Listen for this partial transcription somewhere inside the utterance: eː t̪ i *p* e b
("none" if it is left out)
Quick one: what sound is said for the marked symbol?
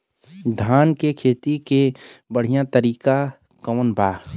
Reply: k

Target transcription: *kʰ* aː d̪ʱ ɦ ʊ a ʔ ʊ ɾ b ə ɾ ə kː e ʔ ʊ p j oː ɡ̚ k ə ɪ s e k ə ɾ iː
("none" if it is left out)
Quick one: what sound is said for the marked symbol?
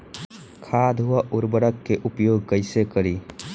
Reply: kʰ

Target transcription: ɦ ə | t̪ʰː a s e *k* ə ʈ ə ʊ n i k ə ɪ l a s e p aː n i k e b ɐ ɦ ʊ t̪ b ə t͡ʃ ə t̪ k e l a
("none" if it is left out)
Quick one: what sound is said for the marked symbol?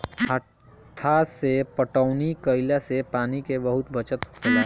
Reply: p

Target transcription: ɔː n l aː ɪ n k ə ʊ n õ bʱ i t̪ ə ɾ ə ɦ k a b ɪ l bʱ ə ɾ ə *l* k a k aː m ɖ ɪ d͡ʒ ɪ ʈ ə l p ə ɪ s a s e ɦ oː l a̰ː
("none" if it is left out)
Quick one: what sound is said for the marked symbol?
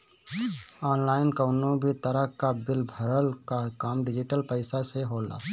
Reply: l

